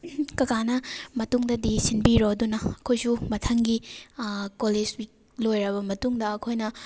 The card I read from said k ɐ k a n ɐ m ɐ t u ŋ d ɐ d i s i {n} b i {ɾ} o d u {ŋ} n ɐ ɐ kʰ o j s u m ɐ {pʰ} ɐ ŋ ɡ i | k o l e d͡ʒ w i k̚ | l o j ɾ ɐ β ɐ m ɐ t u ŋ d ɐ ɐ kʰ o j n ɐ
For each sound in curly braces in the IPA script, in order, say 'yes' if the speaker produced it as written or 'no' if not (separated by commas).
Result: yes, yes, no, no